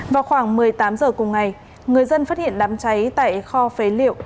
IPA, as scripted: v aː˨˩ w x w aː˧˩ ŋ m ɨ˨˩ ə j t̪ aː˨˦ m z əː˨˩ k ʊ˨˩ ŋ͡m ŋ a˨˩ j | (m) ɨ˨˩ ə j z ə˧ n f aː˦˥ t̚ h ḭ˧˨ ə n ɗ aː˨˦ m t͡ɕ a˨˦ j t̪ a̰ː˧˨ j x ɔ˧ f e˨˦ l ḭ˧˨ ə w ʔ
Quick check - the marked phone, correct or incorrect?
incorrect